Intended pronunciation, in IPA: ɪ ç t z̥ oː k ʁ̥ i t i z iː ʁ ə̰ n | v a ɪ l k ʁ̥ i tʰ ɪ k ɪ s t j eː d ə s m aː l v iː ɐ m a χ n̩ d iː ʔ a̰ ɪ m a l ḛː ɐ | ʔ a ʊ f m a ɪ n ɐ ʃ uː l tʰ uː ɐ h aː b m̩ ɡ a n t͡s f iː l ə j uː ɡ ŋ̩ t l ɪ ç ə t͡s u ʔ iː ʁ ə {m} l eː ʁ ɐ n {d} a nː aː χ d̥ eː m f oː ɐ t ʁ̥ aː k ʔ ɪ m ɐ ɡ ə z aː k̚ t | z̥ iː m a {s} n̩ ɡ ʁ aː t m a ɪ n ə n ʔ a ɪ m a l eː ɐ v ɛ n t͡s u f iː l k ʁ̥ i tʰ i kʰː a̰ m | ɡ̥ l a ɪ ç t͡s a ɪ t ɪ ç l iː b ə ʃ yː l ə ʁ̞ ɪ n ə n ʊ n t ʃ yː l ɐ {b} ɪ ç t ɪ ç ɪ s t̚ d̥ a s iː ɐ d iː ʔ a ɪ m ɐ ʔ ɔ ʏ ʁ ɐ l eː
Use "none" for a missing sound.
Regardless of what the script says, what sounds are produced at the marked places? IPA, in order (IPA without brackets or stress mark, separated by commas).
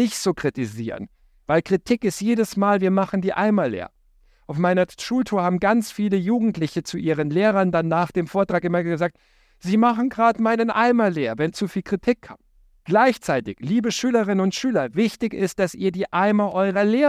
n, d, χ, v